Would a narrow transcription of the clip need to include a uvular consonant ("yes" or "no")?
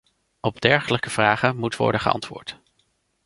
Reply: yes